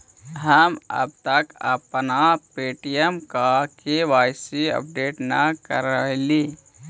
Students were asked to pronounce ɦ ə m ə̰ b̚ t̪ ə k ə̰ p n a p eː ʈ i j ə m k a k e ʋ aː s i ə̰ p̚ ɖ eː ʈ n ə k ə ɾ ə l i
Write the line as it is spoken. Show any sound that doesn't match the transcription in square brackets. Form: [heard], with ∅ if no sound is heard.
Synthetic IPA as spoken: ɦ ə m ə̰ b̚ t̪ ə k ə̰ p n a p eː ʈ i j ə m k a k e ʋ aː s i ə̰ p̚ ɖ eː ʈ n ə k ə ɾ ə l i